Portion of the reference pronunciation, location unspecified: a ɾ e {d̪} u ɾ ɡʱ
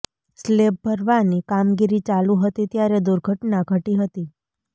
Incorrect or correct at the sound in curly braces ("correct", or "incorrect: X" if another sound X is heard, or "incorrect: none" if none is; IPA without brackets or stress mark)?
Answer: correct